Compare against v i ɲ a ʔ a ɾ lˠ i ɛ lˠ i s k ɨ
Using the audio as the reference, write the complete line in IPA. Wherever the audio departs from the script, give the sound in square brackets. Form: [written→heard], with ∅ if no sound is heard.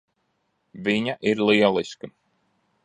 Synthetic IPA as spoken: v i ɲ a ʔ [a→i] ɾ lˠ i ɛ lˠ i s k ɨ